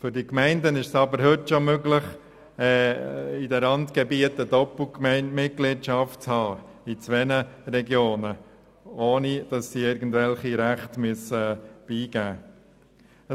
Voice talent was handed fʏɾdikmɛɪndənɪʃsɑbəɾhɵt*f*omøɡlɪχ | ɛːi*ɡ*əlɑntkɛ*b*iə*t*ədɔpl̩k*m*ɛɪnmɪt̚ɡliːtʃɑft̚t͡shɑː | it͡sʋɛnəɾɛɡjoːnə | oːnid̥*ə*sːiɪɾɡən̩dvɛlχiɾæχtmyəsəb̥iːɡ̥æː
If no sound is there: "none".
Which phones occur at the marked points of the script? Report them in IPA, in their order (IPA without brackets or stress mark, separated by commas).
ʃ, d, b, t, m, ɑ